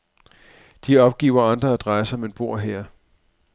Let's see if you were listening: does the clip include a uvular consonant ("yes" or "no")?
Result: yes